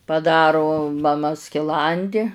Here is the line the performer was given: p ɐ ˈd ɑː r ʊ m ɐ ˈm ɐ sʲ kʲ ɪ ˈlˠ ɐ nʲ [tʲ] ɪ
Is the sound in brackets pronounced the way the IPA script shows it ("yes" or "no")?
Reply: no